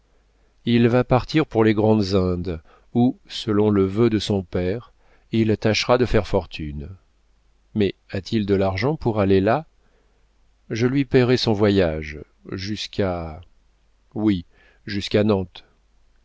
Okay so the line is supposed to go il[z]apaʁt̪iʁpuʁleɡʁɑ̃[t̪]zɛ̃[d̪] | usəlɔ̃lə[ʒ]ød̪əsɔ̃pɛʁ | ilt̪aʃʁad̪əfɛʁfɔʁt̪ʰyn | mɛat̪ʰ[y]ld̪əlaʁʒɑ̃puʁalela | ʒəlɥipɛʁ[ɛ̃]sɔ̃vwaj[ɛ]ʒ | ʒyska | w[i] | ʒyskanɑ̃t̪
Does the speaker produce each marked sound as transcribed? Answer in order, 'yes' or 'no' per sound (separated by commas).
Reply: no, no, yes, no, no, no, no, yes